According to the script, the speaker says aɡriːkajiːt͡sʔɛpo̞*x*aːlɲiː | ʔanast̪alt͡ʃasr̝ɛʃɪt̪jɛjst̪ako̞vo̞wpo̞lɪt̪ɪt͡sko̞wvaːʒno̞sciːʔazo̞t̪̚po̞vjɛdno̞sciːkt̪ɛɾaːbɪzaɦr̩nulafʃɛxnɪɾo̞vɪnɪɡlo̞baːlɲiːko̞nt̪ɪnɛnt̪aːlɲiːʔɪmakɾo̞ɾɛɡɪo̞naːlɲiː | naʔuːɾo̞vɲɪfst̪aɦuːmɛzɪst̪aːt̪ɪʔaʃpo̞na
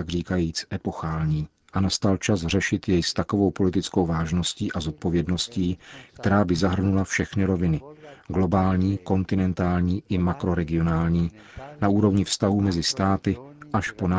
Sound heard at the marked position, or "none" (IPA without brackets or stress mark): x